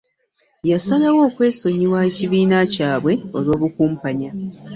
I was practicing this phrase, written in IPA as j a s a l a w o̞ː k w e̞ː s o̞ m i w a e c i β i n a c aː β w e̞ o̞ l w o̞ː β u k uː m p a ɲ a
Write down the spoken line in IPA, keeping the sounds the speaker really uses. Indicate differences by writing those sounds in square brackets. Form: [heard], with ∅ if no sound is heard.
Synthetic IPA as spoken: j a s a l a w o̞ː k w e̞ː s o̞ [ɲ] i w a e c i β [iː] n a c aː β w e̞ o̞ l w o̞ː β u k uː m p a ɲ a